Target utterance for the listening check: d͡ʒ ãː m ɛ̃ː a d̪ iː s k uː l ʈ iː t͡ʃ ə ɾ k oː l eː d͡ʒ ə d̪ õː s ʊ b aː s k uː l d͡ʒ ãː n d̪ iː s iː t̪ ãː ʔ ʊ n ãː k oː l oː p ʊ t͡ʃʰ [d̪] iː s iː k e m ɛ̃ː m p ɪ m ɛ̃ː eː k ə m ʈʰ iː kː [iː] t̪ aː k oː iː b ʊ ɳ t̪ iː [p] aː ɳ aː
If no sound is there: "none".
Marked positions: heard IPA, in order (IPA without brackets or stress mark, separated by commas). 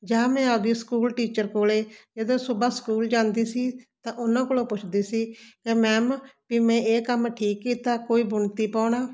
d̪, iː, p